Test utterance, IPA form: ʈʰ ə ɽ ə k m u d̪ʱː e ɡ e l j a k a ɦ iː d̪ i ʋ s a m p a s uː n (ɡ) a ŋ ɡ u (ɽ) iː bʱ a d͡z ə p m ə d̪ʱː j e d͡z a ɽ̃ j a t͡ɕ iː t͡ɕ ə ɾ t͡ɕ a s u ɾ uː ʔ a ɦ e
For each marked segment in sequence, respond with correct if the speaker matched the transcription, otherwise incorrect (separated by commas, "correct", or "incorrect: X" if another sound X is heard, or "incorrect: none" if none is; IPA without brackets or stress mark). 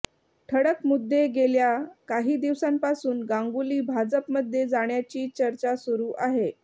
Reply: correct, incorrect: l